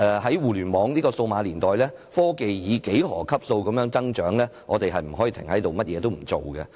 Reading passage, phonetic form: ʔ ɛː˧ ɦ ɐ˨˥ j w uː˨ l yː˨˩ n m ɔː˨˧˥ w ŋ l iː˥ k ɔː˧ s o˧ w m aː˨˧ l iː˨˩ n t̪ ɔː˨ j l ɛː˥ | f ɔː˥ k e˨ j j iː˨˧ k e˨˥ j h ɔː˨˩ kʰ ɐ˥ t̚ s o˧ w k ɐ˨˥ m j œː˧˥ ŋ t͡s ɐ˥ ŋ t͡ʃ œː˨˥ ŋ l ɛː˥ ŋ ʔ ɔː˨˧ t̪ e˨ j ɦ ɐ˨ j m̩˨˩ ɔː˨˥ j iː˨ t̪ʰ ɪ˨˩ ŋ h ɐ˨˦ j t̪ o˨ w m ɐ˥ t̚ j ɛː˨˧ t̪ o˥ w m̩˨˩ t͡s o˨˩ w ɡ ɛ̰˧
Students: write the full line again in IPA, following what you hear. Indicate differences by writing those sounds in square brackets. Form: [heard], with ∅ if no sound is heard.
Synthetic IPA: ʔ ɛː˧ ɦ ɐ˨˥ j w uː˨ l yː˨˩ n m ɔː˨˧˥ [∅] ŋ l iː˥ k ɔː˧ s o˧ w m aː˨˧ l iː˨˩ n t̪ ɔː˨ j l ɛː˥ | f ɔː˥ k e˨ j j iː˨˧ k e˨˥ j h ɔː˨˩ kʰ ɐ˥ [p̚] s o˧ w k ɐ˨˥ m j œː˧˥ ŋ t͡s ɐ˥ ŋ t͡ʃ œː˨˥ ŋ l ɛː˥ ŋ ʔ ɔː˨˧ t̪ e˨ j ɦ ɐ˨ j m̩˨˩ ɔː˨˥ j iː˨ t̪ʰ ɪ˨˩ ŋ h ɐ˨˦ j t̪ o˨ w m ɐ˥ t̚ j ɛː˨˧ t̪ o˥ w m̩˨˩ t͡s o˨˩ w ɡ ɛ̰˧

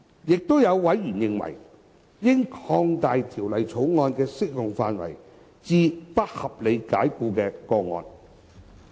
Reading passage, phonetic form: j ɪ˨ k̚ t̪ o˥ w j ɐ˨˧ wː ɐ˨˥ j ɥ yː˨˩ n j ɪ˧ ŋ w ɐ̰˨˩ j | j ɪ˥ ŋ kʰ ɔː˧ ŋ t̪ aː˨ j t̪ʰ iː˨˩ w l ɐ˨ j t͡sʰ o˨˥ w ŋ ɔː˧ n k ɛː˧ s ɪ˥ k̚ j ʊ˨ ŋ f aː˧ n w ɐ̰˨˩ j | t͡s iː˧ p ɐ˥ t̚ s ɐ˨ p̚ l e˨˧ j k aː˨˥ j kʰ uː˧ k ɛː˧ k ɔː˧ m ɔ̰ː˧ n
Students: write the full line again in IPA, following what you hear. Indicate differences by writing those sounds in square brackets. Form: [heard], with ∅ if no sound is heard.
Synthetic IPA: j ɪ˨ k̚ t̪ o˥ w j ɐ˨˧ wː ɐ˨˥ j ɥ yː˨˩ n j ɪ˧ ŋ w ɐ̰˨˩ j | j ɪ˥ ŋ kʰ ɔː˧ ŋ t̪ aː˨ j t̪ʰ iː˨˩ w l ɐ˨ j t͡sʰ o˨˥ w ŋ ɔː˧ n k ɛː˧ s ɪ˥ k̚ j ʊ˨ ŋ f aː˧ n w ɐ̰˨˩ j | t͡s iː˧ p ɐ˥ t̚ [h] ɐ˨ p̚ l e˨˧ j k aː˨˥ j [k] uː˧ k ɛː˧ k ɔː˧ [ŋ] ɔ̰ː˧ n

